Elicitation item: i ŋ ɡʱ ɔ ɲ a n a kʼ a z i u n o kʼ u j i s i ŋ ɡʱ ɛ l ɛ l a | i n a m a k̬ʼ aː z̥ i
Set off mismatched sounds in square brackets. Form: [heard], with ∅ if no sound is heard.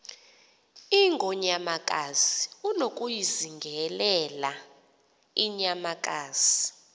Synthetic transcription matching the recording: i ŋ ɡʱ ɔ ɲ a [m] a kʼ a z i u n o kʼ u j i [z] i ŋ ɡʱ ɛ l ɛ l a | i [ɲ] a m a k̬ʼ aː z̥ i